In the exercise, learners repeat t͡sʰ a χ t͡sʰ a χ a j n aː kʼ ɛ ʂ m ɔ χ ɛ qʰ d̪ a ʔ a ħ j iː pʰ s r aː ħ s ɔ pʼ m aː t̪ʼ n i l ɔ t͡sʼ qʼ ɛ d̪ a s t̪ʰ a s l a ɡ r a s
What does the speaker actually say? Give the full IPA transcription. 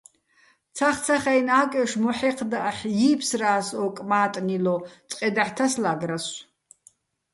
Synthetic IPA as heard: t͡sʰ a χ t͡sʰ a χ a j n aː kʼ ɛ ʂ m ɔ ħ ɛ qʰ d̪ a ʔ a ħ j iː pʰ s r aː s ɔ kʼ m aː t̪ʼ n i l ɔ t͡sʼ qʼ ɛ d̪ a ħ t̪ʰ a s l a ɡ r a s